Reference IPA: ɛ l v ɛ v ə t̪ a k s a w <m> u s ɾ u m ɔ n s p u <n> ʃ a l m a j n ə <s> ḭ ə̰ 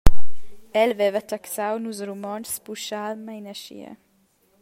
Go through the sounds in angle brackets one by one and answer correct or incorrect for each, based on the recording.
incorrect: n, incorrect: none, incorrect: ʃ

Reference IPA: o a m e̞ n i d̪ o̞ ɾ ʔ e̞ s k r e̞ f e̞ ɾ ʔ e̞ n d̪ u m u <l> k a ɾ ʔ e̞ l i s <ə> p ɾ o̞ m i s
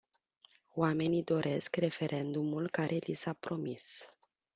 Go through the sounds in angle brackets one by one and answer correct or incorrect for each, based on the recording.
correct, incorrect: a

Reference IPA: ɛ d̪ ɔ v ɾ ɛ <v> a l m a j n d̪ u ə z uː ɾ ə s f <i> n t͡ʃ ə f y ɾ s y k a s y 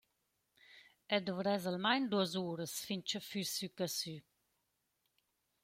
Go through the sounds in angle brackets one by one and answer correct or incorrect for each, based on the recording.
incorrect: z, correct

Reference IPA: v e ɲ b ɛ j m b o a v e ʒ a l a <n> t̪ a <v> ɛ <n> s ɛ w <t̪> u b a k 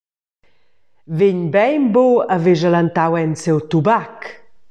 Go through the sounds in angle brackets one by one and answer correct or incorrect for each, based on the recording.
correct, incorrect: w, correct, correct

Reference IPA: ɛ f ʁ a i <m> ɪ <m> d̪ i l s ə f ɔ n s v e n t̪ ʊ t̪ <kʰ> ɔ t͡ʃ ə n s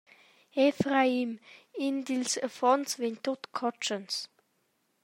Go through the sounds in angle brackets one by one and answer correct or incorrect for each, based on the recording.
correct, incorrect: n, correct

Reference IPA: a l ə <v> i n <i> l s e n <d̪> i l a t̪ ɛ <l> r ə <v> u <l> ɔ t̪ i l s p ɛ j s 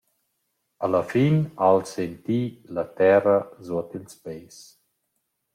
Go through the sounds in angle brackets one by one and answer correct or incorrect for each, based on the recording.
incorrect: f, incorrect: a, incorrect: t̪, incorrect: none, incorrect: z, incorrect: none

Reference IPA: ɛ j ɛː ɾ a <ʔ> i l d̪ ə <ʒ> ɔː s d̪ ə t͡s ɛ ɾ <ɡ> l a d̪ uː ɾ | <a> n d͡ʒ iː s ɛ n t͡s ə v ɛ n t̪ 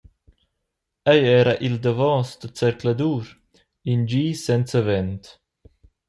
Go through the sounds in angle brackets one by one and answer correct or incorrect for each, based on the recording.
correct, incorrect: v, incorrect: k, incorrect: i

